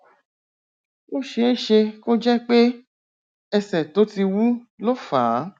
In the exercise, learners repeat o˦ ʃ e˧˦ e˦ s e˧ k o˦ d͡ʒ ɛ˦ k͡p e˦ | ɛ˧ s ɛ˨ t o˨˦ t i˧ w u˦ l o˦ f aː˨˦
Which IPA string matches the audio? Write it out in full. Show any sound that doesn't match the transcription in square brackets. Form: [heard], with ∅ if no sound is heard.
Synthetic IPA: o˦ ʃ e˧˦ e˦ [ʃ] e˧ k o˦ d͡ʒ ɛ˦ k͡p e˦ | ɛ˧ s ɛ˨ t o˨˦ t i˧ w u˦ l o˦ f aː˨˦